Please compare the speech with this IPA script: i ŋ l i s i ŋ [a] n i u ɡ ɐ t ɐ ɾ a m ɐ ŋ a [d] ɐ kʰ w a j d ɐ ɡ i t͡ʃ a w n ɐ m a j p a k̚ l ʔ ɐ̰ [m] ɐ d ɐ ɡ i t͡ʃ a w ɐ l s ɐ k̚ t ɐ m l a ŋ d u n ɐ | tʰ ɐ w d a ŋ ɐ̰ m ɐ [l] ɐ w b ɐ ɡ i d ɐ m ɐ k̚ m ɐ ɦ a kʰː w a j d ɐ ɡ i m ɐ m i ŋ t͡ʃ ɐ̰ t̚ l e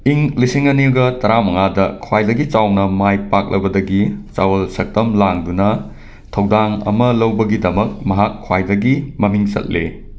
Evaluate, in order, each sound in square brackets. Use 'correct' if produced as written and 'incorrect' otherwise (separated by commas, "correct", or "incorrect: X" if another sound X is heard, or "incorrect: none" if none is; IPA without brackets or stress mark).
incorrect: ɐ, correct, incorrect: b, correct